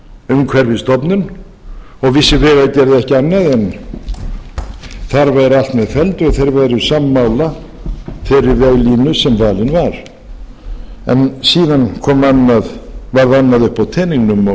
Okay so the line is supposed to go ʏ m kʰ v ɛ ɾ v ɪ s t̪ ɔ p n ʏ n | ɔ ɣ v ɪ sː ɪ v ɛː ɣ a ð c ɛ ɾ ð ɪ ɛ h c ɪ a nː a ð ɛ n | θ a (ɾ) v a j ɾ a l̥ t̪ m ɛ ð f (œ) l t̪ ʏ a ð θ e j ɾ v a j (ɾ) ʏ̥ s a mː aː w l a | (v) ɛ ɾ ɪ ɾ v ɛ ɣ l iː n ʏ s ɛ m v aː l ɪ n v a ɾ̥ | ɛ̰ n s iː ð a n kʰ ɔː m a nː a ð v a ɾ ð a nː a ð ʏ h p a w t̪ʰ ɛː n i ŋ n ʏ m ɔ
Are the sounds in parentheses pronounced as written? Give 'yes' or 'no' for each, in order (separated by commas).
yes, no, yes, no